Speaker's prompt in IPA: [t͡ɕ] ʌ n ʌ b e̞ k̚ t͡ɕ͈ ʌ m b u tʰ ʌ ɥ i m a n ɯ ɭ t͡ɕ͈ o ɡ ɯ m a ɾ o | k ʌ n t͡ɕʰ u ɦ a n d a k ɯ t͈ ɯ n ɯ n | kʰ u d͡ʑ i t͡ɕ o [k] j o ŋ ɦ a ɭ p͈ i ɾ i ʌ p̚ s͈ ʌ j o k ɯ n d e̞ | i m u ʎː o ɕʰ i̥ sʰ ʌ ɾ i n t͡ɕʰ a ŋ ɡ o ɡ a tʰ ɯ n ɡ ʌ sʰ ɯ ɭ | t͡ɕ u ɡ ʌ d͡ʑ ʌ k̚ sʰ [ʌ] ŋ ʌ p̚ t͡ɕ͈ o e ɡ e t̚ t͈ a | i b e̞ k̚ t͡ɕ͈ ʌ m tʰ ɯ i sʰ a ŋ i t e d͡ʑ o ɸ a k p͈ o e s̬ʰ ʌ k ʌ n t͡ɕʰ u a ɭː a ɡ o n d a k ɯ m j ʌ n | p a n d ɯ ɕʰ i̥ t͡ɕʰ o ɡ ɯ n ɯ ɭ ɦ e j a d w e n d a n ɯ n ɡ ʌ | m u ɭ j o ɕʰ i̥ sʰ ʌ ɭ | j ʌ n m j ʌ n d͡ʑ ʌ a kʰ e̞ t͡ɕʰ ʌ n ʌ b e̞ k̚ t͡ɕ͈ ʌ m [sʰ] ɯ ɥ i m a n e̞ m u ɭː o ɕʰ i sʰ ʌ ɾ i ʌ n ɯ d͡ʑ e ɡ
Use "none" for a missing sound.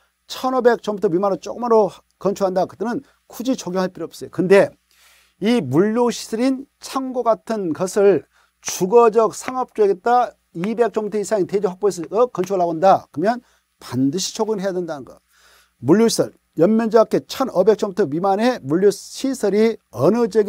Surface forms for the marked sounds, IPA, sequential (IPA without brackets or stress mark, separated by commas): t͡ɕʰ, ɡ, a, tʰ